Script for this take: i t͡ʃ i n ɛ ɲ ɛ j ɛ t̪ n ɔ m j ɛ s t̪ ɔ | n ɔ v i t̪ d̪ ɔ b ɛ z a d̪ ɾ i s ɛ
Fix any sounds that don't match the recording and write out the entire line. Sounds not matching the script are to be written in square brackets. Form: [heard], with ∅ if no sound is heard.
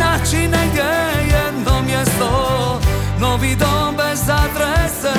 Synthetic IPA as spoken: [a] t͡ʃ i n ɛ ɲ ɛ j ɛ [d̪] n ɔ m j ɛ s t̪ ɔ | n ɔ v i [∅] d̪ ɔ b ɛ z a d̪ ɾ [ɛ] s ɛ